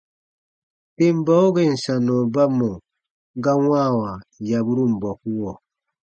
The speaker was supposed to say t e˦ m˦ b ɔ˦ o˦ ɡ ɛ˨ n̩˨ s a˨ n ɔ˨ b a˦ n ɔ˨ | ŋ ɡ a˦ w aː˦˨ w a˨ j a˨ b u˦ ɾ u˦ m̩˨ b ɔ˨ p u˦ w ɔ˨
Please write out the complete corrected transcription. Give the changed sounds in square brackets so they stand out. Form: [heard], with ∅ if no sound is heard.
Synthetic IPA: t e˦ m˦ b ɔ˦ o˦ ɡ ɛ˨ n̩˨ s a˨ n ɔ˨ b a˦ [m] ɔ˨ | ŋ ɡ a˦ w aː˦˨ w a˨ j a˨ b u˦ ɾ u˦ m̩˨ b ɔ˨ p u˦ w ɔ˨